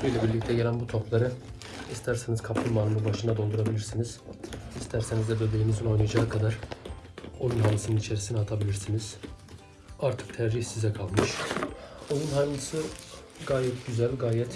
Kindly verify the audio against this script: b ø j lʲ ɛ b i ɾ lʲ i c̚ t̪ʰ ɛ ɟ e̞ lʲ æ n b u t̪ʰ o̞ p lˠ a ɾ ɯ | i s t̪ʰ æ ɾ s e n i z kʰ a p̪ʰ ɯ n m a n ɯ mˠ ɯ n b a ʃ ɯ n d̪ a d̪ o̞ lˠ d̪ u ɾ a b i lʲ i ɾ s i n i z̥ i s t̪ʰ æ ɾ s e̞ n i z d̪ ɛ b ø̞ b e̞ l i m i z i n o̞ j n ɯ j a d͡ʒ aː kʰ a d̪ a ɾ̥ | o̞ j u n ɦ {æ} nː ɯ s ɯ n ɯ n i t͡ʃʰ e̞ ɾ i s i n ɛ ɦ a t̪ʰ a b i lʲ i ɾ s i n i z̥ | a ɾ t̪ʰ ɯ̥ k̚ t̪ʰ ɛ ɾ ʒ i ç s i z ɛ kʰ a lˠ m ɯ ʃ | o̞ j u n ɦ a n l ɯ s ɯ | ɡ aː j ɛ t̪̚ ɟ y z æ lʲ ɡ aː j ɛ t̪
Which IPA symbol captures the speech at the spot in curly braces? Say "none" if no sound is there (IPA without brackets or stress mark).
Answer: a